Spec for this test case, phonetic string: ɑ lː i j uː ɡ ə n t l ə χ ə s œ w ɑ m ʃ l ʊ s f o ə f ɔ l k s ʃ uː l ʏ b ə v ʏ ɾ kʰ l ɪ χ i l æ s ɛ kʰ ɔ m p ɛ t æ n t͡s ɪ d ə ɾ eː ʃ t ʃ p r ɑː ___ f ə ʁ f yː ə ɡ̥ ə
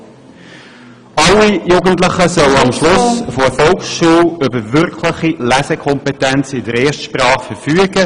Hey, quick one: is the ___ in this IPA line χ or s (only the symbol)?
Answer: χ